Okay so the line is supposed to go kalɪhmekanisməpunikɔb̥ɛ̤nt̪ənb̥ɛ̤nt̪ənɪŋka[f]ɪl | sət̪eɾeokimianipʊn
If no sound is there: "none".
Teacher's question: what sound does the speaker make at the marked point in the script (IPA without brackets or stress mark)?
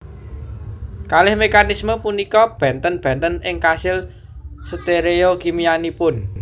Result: s